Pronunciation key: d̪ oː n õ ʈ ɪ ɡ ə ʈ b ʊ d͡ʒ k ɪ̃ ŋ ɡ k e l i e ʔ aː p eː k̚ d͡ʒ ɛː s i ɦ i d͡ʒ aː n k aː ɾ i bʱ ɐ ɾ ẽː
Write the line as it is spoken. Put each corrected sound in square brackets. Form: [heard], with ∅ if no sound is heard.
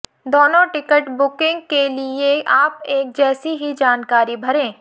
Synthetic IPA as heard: d̪ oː n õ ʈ ɪ [k] ə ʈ b ʊ [∅] k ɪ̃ ŋ ɡ k e l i e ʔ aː p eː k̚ d͡ʒ ɛː s i ɦ i d͡ʒ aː n k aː ɾ i bʱ ɐ ɾ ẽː